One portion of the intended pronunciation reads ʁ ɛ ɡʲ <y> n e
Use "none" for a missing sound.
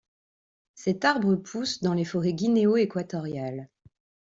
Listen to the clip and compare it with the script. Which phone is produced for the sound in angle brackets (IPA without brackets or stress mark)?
i